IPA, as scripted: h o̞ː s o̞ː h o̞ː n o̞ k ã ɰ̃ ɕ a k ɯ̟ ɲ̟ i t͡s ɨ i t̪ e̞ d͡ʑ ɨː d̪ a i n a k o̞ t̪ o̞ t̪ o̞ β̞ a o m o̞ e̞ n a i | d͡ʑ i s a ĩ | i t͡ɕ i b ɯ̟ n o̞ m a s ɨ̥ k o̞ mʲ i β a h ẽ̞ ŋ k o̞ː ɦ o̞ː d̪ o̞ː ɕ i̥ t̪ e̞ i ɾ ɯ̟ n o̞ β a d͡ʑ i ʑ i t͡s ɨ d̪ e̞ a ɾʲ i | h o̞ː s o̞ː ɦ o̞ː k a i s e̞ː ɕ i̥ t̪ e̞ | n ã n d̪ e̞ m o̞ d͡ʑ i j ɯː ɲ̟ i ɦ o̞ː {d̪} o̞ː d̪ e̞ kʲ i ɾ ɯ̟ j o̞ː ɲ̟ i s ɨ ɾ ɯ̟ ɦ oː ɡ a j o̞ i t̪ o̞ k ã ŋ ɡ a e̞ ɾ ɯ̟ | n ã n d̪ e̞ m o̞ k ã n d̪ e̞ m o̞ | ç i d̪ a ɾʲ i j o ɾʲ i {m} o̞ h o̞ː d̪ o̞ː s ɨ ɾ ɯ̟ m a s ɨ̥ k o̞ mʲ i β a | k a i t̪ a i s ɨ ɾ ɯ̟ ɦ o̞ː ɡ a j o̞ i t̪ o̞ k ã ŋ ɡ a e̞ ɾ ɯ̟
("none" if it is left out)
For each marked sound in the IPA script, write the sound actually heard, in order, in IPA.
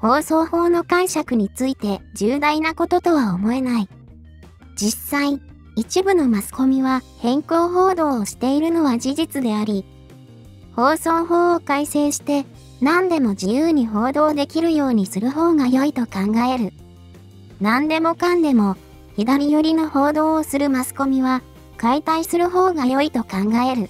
d̪, n

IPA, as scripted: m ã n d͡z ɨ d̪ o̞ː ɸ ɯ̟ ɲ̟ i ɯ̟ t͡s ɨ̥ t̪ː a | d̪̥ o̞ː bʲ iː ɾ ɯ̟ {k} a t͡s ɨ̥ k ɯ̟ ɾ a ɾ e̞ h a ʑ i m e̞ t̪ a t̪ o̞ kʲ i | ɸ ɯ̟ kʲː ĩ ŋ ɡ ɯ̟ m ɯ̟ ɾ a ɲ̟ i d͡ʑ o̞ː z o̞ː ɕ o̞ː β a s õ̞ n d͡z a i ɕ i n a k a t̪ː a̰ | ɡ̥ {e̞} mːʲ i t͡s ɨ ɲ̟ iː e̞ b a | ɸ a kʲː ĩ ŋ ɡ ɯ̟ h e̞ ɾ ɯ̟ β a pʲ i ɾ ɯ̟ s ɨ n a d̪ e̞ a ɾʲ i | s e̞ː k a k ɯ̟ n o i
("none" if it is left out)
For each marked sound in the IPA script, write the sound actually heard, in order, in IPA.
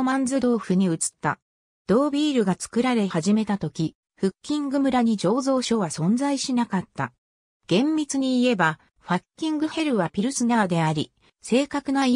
ɡ, ẽ̞

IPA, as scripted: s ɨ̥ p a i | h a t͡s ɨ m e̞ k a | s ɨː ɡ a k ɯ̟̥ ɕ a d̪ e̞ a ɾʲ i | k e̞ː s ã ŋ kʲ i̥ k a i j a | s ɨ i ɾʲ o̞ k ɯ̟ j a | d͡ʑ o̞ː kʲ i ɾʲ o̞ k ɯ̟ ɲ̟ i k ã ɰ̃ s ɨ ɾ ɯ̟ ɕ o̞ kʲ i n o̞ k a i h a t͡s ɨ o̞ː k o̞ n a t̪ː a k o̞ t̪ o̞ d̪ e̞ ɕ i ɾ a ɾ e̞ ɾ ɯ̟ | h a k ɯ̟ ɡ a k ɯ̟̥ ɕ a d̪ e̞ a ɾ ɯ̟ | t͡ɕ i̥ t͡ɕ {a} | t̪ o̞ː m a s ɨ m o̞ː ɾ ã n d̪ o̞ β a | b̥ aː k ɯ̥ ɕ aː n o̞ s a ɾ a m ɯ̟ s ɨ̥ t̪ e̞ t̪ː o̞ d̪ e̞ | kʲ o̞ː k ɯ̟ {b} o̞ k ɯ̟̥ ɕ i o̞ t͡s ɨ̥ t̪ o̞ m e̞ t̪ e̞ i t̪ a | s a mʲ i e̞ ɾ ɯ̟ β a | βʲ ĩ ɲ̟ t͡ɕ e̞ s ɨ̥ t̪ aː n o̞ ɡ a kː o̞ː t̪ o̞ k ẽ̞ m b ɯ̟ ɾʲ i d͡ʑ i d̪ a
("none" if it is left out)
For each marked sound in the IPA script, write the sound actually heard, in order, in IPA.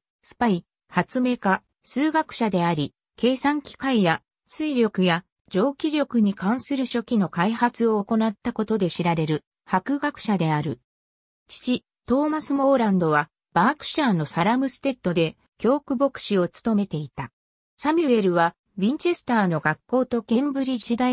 i, b

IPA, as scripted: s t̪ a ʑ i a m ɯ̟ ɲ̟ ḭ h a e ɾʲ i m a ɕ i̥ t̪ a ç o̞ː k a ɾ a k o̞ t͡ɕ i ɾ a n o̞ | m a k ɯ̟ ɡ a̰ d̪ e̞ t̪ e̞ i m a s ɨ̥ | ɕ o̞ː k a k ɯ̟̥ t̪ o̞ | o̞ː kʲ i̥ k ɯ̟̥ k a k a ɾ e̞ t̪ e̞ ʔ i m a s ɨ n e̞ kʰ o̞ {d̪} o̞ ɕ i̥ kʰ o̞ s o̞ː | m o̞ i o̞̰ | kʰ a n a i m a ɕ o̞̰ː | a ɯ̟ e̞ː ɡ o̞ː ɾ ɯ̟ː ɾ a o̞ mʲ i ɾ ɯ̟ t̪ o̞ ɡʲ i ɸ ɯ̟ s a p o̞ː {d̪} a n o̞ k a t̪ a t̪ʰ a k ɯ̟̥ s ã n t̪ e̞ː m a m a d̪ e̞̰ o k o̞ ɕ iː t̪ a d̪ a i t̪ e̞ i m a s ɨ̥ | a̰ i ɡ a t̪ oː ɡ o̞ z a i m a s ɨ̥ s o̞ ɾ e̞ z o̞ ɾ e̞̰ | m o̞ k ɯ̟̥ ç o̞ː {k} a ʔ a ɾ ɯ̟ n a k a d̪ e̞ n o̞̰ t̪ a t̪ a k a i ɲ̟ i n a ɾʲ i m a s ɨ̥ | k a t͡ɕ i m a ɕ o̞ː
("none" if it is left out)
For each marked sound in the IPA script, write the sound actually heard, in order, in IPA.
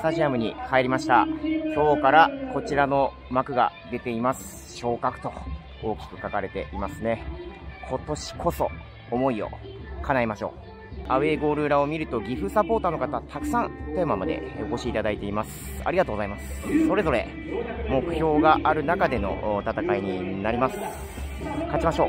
t̪, t̪, ɡ

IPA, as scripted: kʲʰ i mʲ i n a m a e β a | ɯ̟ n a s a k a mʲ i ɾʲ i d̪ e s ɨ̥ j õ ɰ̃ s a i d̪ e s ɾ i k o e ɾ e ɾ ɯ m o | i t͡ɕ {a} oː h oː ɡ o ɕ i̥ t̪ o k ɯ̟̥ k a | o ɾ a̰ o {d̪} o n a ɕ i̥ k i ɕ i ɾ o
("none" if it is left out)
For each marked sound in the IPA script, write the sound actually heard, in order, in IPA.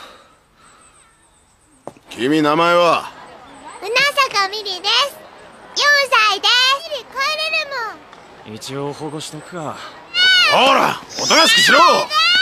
i, t̪

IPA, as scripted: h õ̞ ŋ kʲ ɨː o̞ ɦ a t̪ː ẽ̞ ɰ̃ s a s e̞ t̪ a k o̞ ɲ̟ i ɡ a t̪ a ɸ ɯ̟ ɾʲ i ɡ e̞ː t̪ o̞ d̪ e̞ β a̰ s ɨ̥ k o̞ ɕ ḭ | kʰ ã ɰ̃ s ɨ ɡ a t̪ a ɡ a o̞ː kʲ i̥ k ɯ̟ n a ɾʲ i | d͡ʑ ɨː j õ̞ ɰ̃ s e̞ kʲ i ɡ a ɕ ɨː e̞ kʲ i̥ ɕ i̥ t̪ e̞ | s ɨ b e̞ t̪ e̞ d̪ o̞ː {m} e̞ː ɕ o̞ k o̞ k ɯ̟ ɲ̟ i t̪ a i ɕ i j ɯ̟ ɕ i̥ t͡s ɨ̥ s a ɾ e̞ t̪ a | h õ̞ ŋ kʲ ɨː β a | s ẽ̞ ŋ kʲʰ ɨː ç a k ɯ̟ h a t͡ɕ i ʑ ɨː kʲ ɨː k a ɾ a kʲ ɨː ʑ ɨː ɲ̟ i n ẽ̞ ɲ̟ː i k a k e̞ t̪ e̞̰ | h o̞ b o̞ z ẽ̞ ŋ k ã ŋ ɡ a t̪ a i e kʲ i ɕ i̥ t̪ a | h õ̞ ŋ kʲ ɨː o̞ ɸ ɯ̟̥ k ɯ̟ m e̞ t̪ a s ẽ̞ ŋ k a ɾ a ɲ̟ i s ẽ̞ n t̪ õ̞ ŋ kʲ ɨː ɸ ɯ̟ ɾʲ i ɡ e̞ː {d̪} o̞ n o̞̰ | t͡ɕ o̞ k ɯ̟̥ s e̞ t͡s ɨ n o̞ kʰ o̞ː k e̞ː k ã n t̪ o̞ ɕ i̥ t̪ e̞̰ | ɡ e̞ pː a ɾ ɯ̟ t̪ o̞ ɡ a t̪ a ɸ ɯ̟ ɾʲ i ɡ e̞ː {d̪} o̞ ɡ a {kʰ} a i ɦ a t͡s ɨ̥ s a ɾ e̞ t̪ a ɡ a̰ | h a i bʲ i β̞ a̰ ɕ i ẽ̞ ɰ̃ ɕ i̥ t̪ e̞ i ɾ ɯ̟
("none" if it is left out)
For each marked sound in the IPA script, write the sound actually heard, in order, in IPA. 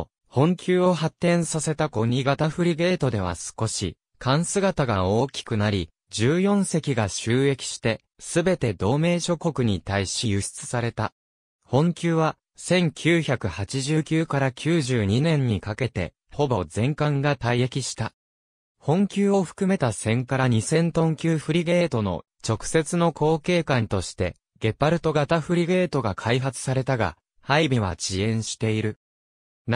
m, t̪, t̪, kʰ

